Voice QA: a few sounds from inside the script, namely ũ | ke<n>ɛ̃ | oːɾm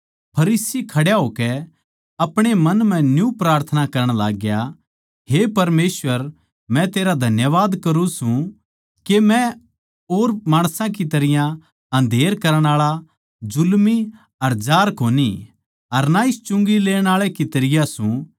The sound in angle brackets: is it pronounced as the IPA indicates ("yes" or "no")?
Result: no